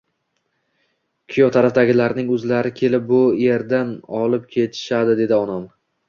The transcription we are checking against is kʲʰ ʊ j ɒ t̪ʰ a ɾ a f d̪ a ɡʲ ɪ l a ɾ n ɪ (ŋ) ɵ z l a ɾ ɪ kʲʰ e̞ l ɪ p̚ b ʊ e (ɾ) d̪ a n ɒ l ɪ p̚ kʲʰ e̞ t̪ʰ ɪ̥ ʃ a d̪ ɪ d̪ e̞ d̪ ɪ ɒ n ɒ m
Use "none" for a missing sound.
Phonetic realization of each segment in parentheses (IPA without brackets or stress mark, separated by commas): ŋ, ɾ